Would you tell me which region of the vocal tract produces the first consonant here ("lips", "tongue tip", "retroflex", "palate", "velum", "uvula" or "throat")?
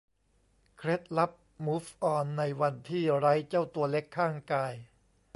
velum